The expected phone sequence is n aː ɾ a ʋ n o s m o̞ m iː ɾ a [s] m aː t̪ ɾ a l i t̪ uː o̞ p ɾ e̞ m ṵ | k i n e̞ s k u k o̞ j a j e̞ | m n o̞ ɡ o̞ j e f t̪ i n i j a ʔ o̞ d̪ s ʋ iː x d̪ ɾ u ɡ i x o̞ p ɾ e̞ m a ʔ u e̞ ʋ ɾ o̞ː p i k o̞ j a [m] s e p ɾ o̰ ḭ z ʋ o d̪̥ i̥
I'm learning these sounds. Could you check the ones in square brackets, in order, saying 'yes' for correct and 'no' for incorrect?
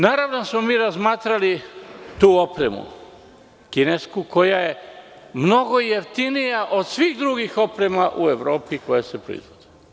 no, no

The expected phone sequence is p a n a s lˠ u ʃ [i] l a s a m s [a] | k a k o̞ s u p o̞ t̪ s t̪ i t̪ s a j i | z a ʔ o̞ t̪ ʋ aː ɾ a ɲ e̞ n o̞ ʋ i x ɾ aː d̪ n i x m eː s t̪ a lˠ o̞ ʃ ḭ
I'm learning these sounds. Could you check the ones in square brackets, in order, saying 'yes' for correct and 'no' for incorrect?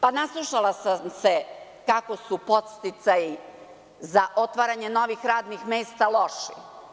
no, no

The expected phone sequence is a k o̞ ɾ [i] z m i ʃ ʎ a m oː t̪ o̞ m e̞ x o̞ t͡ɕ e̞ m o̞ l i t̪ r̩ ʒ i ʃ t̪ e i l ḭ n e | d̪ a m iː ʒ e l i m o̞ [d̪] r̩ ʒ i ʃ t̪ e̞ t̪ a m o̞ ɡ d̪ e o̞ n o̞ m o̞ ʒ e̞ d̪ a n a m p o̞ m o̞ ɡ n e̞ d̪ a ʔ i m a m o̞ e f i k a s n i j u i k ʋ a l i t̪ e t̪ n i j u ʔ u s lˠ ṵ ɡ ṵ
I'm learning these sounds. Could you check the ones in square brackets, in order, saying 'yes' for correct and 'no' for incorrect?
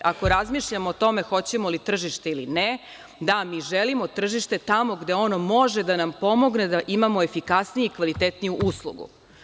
no, no

